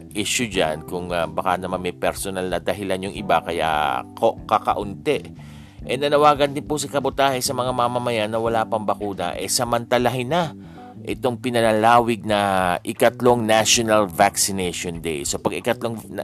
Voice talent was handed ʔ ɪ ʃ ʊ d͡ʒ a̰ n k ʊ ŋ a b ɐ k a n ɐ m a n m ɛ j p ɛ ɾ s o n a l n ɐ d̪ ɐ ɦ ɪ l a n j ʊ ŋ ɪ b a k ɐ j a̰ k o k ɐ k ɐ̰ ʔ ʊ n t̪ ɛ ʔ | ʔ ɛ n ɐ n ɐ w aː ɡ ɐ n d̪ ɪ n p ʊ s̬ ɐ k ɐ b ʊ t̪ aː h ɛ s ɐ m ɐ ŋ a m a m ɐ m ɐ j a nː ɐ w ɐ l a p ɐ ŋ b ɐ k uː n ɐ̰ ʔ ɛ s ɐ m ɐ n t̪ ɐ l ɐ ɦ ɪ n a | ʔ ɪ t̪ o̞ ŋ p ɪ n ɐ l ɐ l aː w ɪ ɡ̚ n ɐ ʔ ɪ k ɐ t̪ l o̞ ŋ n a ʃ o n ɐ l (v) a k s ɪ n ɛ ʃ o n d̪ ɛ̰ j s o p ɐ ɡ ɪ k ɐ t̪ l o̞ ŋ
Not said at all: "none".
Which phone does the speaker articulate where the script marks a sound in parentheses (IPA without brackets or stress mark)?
v